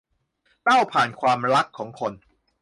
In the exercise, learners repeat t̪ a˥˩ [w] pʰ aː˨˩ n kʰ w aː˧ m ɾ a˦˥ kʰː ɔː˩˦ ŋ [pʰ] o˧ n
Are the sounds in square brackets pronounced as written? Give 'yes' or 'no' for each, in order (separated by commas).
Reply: yes, no